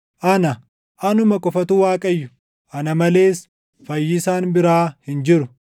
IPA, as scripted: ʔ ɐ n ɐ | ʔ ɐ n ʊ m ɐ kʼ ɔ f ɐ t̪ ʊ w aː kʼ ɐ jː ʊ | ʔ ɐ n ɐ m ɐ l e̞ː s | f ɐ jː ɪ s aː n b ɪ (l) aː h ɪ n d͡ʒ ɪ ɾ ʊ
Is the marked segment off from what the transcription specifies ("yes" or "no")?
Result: yes